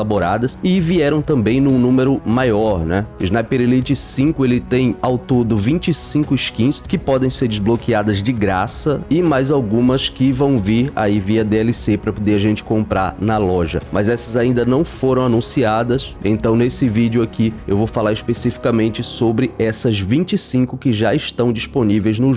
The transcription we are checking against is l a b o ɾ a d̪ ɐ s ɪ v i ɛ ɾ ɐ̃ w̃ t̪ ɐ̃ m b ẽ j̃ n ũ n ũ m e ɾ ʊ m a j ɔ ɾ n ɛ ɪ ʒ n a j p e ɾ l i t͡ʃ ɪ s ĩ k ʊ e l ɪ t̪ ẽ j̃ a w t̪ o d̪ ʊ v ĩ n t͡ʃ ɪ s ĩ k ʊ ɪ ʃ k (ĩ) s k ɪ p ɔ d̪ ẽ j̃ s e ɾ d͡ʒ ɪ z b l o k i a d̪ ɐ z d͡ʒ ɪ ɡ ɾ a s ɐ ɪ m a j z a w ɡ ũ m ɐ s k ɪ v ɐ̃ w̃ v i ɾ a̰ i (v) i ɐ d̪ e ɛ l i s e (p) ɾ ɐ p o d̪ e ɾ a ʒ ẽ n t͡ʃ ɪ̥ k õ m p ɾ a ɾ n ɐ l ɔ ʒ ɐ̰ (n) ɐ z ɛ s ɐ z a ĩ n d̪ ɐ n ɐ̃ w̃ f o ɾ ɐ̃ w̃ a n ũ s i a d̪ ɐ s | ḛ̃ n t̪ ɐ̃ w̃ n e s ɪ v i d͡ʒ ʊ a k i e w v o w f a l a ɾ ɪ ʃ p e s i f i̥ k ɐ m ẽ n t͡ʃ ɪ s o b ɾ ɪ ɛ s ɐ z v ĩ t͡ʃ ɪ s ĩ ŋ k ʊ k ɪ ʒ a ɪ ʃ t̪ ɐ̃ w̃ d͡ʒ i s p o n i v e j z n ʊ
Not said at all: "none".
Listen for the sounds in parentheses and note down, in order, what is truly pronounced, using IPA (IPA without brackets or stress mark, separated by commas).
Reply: ĩ, v, p, m